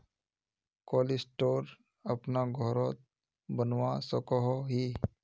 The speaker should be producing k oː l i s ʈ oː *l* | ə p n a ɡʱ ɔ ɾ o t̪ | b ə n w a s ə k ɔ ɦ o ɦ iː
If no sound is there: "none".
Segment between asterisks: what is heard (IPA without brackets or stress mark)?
ɾ